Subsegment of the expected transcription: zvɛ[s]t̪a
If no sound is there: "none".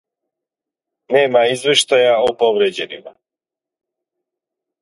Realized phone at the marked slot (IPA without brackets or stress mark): ʃ